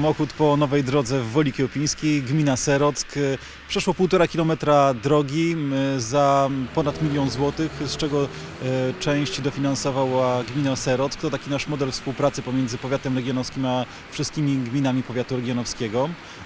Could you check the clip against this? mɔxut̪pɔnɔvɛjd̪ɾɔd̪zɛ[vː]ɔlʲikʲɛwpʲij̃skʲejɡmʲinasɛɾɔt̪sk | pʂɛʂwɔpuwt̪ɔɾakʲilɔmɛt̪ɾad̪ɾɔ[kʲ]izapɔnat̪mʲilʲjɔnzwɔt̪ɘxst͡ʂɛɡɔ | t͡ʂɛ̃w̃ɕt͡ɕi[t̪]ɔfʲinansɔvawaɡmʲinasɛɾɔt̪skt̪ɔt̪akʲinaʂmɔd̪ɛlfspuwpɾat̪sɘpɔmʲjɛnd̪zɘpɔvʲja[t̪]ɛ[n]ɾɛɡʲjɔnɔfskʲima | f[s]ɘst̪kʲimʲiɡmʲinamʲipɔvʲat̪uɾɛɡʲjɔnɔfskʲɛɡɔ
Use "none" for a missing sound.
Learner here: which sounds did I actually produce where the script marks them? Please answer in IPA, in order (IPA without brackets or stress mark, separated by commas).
vː, ɡʲ, d̪, t̪, m, ʂ